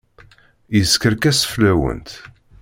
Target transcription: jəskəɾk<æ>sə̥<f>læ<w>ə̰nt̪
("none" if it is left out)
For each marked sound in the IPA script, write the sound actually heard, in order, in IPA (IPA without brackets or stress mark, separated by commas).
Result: æ, f, w